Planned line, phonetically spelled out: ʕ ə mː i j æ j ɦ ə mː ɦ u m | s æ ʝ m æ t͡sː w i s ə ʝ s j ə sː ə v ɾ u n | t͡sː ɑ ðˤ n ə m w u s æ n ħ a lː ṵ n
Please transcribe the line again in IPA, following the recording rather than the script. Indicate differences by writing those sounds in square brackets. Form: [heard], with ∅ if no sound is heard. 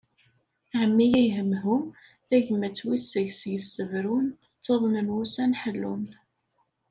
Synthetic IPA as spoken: ʕ ə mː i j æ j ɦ ə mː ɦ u m | [θ] æ ʝ m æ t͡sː w i s ə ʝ s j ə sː ə v ɾ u n | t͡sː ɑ ðˤ n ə [n] w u s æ n ħ [ə] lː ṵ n